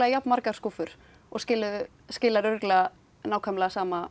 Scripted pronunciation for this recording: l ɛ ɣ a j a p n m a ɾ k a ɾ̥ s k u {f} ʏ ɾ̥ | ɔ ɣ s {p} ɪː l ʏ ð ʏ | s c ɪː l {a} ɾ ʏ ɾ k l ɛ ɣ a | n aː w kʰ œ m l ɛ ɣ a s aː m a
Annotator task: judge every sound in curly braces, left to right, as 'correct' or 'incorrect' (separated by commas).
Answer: correct, incorrect, correct